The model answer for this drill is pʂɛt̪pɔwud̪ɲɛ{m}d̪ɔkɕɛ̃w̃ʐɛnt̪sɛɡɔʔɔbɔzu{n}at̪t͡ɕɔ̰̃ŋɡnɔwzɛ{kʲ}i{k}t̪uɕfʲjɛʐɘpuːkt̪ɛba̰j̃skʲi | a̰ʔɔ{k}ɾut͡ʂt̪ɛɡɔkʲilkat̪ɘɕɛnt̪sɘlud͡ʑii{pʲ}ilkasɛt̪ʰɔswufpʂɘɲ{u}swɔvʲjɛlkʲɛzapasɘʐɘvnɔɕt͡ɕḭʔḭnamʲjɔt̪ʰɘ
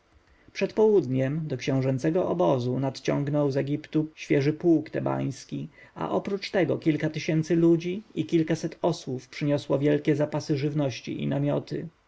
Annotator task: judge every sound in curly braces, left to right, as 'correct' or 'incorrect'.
correct, correct, incorrect: ɡʲ, incorrect: p, incorrect: p, incorrect: kʲ, incorrect: ɔ

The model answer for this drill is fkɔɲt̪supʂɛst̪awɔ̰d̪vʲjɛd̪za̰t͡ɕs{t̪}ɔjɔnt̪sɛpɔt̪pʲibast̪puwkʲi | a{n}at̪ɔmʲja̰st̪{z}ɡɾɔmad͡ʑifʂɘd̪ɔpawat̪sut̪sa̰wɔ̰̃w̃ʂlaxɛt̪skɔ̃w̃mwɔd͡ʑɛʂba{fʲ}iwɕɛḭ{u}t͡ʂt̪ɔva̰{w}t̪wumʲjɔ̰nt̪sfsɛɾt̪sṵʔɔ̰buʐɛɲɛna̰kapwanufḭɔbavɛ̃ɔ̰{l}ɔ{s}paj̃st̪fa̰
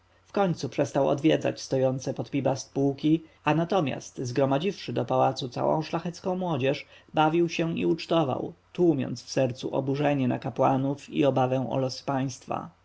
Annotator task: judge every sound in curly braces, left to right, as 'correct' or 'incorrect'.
correct, correct, correct, incorrect: vʲ, correct, correct, correct, correct

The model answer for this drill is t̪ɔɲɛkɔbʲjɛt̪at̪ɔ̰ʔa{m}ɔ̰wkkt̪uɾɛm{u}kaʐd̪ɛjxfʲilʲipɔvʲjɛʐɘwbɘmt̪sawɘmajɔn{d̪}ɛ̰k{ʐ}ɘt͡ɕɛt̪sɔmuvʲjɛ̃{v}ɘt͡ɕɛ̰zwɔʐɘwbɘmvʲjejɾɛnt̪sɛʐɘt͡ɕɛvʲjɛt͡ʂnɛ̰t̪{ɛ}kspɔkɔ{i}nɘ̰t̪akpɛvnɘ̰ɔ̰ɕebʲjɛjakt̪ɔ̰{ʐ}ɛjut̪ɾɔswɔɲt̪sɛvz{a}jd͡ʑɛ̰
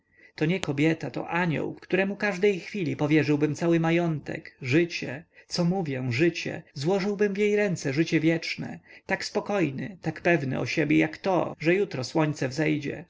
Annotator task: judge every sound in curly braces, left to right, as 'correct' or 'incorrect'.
incorrect: ɲ, correct, incorrect: t̪, correct, incorrect: ʐ, incorrect: a, incorrect: j, correct, incorrect: ɛ

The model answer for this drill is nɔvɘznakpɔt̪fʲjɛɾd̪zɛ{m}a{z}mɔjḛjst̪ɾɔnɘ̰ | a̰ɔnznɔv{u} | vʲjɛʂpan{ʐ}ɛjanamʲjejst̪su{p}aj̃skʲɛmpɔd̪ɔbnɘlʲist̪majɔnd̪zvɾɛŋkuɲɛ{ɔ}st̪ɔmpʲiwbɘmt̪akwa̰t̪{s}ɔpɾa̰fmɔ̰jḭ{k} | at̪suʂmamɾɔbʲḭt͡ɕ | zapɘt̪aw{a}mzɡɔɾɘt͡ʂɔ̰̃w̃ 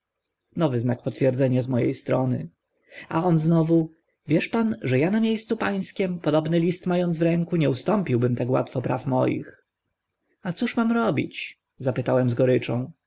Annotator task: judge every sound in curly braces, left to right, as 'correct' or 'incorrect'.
incorrect: ɲ, correct, correct, correct, correct, incorrect: u, incorrect: f, incorrect: x, incorrect: ɛ

